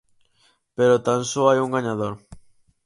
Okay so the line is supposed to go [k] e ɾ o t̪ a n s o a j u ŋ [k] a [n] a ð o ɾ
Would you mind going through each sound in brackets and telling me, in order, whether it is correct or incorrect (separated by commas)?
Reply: incorrect, incorrect, incorrect